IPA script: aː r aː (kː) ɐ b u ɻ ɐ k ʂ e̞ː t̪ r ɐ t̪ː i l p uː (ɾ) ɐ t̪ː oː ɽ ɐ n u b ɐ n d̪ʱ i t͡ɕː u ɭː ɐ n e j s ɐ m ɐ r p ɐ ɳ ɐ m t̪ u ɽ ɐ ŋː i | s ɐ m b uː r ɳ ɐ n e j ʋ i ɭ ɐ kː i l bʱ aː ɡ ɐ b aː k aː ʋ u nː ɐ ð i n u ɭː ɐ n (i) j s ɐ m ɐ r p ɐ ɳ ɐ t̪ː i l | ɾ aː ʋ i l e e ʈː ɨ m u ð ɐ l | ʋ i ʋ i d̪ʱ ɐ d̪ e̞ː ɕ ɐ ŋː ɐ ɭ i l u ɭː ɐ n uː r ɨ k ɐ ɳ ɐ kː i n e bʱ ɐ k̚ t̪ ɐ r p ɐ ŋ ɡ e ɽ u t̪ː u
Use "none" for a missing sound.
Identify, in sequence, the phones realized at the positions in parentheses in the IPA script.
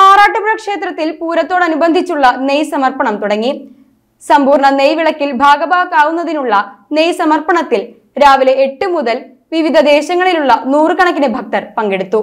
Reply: ʈː, ɾ, e

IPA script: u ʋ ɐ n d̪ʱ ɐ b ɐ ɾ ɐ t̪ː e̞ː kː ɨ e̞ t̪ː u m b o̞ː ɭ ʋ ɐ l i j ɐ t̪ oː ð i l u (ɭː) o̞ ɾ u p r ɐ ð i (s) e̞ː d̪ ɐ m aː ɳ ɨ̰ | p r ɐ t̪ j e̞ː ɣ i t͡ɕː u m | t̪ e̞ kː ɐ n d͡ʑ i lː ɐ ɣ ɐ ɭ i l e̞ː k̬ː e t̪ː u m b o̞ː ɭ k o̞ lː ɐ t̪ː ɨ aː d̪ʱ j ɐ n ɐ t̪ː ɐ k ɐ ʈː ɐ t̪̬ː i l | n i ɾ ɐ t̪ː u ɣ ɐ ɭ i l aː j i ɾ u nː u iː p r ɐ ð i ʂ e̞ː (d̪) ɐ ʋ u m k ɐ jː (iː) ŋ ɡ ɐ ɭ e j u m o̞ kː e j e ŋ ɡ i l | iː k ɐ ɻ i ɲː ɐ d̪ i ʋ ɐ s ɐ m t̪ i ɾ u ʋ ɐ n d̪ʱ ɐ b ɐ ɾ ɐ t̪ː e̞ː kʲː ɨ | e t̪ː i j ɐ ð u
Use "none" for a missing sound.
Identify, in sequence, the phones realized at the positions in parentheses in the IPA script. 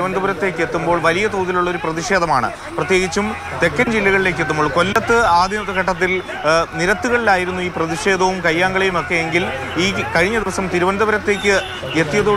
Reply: ɭː, ʂ, d̪, aː

